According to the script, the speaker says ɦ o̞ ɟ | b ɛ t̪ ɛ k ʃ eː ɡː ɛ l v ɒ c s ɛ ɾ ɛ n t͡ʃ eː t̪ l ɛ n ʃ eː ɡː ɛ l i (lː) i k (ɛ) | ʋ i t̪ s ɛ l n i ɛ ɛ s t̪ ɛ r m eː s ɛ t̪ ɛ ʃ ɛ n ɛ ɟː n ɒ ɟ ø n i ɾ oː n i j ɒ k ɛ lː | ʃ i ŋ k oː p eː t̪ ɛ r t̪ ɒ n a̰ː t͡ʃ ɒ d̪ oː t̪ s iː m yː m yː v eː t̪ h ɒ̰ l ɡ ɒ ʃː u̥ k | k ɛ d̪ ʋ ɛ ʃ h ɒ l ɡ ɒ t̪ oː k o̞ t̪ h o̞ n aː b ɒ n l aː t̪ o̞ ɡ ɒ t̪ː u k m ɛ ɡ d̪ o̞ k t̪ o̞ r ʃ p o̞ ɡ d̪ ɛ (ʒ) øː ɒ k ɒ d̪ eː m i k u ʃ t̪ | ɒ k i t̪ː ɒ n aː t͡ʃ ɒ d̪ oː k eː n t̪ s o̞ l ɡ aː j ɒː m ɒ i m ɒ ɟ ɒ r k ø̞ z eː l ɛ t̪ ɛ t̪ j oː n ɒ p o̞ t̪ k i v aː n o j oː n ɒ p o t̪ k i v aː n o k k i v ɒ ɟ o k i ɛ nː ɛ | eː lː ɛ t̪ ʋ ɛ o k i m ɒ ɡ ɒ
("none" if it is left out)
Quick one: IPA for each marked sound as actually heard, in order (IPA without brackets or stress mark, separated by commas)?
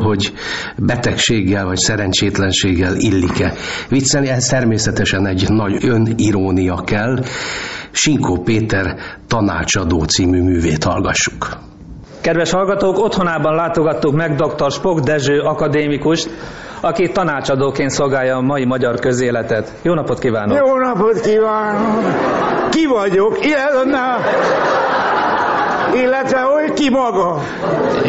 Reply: lː, ɛ, ʒ